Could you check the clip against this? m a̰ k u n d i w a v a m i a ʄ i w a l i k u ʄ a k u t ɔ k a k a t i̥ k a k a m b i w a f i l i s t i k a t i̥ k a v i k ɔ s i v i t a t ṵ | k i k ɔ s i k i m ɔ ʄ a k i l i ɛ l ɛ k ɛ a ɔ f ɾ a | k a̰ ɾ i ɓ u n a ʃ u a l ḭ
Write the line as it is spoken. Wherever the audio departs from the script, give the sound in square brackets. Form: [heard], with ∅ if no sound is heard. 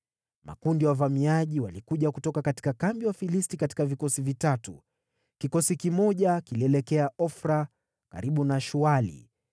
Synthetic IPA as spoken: m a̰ k u n d i w a v a m i a ʄ i w a l i k u ʄ a k u t ɔ k a k a t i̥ k a k a m b i w a f i l i s t i k a t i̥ k a v i k ɔ s i v i t a t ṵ | k i k ɔ s i k i m ɔ ʄ a k i l i ɛ l ɛ k ɛ a ɔ f ɾ a | k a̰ ɾ i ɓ u n a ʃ u a l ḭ

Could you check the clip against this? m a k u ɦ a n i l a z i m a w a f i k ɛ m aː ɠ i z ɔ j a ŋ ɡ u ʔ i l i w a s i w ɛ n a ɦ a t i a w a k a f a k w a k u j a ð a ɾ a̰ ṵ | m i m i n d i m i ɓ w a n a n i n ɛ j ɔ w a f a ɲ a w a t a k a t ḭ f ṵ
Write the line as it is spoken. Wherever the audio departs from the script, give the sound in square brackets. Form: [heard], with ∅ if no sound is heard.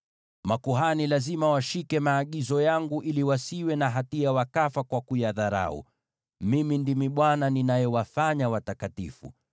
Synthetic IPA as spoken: m a k u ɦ a n i l a z i m a w a [ʃ] i k ɛ m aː ɠ i z ɔ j a ŋ ɡ u ʔ i l i w a s i w ɛ n a ɦ a t i a w a k a f a k w a k u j a ð a ɾ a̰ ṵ | m i m i n d i m i ɓ w a n a n i n [a] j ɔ w a f a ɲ a w a t a k a t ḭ f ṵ

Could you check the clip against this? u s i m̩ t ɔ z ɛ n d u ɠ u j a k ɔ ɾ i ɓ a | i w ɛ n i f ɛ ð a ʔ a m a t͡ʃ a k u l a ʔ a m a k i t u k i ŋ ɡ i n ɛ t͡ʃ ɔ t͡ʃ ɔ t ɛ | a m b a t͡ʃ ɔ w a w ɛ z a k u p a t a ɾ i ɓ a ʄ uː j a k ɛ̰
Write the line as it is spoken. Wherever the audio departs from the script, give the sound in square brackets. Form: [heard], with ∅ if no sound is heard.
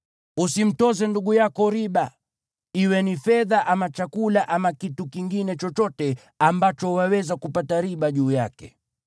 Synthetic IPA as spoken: u s i m̩ t ɔ z ɛ n d u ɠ u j a k ɔ ɾ i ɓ a | i w ɛ n i f ɛ ð a ʔ a m a t͡ʃ a k u l a ʔ a m a k i t u k i ŋ ɡ i n ɛ t͡ʃ ɔ t͡ʃ ɔ t ɛ | a m b a t͡ʃ ɔ w a w ɛ z a k u p a t a ɾ i ɓ a ʄ uː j a k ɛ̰

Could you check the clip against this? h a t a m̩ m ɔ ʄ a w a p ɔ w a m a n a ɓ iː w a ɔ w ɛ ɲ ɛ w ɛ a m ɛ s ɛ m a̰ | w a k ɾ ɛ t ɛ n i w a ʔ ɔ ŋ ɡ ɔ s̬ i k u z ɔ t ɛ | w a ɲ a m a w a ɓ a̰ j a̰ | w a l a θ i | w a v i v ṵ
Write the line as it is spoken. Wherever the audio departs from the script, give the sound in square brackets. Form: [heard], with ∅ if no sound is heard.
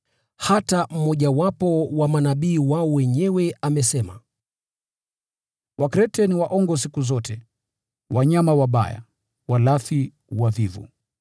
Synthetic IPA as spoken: h a t a m̩ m ɔ ʄ a w a p ɔ w a m a n a ɓ iː w a ɔ w ɛ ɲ ɛ w ɛ a m ɛ s ɛ m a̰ | w a k ɾ ɛ t ɛ n i w a ʔ ɔ ŋ ɡ ɔ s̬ i k u z ɔ t ɛ | w a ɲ a m a w a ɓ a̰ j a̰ | w a l a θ i | w a v i v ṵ

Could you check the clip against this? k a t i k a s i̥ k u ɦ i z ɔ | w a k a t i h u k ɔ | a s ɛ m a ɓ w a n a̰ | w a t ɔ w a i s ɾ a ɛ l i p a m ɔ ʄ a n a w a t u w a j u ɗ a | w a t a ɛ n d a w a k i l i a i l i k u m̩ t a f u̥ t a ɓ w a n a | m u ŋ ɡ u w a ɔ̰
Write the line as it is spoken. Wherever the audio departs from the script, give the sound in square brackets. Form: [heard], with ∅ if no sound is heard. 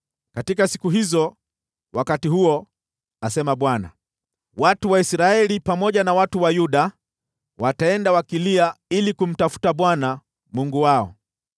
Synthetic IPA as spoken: k a t i k a s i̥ k u ɦ i z ɔ | w a k a t i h u [∅] ɔ | a s ɛ m a ɓ w a n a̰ | w a t [u] w a i s ɾ a ɛ l i p a m ɔ ʄ a n a w a t u w a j u ɗ a | w a t a ɛ n d a w a k i l i a i l i k u m̩ t a f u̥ t a ɓ w a n a | m u ŋ ɡ u w a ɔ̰

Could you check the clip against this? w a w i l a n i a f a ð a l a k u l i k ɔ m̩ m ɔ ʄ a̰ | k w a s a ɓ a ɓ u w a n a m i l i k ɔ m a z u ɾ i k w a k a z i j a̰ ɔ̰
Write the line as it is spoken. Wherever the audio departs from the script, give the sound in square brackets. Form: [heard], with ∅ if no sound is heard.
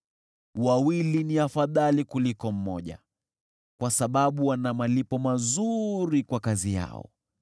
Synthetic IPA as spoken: w a w i l [i] n i a f a ð a l [i] k u l i k ɔ m̩ m ɔ ʄ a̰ | k w a s a ɓ a ɓ u w a n a m [a] l i [p] ɔ m a z u ɾ i k w a k a z i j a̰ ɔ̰

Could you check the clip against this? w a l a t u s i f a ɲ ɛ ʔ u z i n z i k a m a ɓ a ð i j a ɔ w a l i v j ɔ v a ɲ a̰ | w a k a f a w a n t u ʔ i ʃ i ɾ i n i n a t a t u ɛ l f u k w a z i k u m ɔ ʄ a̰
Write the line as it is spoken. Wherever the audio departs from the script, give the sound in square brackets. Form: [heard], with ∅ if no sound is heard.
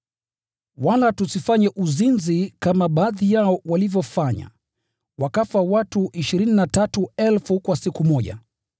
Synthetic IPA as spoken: w a l a t u s i f a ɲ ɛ ʔ u z i n z i k a m a ɓ a ð i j a ɔ w a l i v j ɔ [f] a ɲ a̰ | w a k a f a w a [∅] t u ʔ i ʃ i ɾ i n i n a t a t u ɛ l f u k w a [s] i k u m ɔ ʄ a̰

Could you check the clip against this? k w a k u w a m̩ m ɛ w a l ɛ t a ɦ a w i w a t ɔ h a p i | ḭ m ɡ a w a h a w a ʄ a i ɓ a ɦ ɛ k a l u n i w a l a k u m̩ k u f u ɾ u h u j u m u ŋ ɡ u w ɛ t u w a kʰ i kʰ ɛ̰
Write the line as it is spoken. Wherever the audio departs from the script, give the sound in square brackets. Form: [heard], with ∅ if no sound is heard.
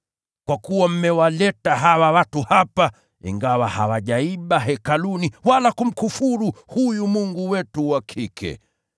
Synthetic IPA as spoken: k w a k u w a m̩ m ɛ w a l ɛ t a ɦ a w [a] w a t [u] h a p [a] | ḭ [ŋ] ɡ a w a h a w a ʄ a i ɓ a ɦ ɛ k a l u n i w a l a k u m̩ k u f u ɾ u h u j u m u ŋ ɡ u w ɛ t u w a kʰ i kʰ ɛ̰

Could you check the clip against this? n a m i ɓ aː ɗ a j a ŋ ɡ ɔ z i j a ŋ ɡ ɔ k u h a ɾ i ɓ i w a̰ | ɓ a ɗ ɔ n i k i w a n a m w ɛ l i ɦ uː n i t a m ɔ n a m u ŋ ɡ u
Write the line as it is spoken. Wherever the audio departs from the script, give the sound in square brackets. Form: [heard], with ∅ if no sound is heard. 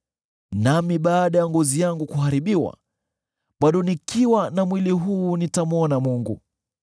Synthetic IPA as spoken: n a m i ɓ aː ɗ a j a ŋ ɡ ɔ z i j a ŋ ɡ [u] k u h a ɾ i ɓ i w a̰ | ɓ a ɗ ɔ n i k i w a n a m w [i] l i ɦ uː n i t a m ɔ n a m u ŋ ɡ u

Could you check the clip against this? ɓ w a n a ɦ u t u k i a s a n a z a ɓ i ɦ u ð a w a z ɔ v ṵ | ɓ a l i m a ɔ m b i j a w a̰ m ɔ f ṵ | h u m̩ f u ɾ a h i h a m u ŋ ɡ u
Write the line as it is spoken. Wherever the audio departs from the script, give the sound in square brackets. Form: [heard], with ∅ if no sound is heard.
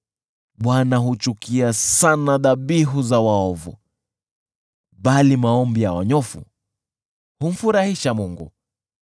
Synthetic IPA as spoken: ɓ w a n a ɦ u [t͡ʃ] u k i a s a n a [ð] a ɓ i ɦ u [z] a w a [∅] ɔ v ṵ | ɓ a l i m a ɔ m b i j a w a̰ [ɲ] ɔ f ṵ | h u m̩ f u ɾ a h i [ʃ] a m u ŋ ɡ u

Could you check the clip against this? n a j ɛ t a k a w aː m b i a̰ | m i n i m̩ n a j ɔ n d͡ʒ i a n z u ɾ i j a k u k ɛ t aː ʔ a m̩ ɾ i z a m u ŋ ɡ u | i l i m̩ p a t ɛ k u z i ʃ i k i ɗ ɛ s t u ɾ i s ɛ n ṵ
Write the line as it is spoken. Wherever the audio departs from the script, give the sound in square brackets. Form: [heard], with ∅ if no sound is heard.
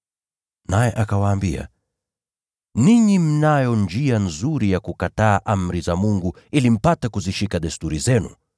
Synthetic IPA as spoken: n a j ɛ [ʔ] a k a w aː m b i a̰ | [n] i [ɲ] i m̩ n a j ɔ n d͡ʒ i a n z u ɾ i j a k u k [a] t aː ʔ a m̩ ɾ i z a m u ŋ ɡ u | i l i m̩ p a t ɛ k u z i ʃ i k [a] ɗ ɛ s t u ɾ i [z] ɛ n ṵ

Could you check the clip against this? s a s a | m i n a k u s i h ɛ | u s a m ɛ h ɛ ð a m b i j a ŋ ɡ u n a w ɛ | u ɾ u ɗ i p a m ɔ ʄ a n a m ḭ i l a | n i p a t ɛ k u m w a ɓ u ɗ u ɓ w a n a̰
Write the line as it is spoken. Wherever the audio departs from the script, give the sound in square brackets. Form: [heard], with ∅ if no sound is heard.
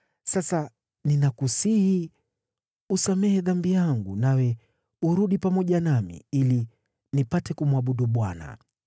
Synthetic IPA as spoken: s a s a | [n] i n a k u s i h [i] | u s a m ɛ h ɛ ð a m b i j a ŋ ɡ u n a w ɛ | u ɾ u ɗ i p a m ɔ ʄ a n a m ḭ i l [i] | n i p a t ɛ k u m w a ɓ u ɗ u ɓ w a n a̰

